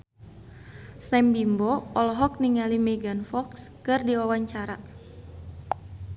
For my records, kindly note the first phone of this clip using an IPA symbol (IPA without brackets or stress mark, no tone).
s